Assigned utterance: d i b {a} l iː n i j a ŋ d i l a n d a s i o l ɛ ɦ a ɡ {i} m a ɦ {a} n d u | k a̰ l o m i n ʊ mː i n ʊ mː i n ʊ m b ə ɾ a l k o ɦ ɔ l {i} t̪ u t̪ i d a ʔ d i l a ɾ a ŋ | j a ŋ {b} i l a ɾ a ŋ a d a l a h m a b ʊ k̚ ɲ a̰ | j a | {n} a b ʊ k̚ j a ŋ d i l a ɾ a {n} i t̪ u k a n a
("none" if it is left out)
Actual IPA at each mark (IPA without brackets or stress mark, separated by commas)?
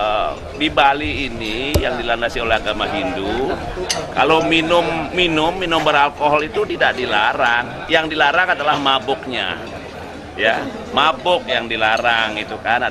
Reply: a, a, i, i, d, m, ŋ